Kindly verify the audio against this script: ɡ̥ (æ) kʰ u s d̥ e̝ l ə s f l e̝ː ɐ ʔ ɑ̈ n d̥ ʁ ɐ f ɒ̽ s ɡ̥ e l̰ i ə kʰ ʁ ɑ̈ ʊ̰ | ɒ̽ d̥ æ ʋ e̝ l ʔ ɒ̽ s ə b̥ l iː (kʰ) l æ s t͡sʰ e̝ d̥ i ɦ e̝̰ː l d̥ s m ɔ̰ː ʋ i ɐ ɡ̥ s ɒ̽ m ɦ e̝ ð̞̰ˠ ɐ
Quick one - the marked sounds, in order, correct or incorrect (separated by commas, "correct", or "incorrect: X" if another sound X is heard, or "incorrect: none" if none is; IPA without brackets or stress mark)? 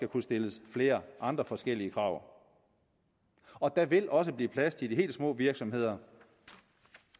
correct, incorrect: pʰ